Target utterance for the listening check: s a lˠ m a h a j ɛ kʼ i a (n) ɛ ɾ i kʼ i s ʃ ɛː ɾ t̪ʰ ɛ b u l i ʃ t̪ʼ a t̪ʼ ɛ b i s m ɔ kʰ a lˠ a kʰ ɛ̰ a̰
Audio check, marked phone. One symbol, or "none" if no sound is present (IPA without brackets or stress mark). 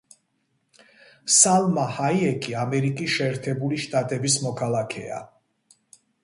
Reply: m